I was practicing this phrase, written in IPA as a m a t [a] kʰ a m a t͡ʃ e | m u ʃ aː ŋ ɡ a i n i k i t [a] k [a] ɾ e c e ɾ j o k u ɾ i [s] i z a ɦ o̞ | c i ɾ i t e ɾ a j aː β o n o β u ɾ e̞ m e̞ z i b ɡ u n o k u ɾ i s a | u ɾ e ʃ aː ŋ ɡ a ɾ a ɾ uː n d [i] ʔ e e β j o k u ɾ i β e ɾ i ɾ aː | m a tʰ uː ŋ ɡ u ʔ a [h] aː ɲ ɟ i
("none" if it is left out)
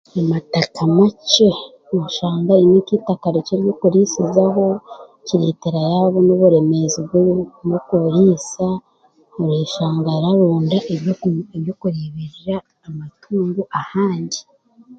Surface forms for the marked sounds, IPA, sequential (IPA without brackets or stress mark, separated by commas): a, a, a, s, a, h